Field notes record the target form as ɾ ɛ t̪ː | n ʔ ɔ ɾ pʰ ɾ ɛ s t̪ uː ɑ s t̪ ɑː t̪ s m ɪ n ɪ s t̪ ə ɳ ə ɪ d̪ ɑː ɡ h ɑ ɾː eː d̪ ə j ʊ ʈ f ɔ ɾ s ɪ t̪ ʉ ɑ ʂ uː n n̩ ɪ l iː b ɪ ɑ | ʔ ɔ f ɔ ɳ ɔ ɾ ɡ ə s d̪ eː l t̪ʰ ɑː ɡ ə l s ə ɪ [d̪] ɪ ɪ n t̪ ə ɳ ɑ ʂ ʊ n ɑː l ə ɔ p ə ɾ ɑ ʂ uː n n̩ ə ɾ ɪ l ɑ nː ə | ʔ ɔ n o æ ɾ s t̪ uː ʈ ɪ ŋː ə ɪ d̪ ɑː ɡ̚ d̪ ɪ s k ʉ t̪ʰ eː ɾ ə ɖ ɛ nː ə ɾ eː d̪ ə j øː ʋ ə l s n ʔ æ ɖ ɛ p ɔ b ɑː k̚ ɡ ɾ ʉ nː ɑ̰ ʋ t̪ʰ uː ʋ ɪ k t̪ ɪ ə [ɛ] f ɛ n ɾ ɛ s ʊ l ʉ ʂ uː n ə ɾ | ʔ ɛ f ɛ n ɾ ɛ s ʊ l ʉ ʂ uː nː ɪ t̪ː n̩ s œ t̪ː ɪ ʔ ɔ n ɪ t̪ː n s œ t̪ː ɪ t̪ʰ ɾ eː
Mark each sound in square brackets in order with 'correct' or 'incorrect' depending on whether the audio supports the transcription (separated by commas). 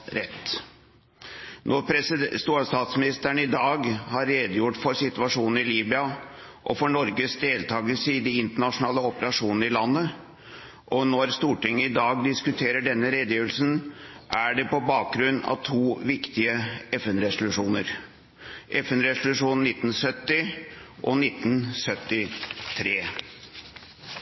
correct, correct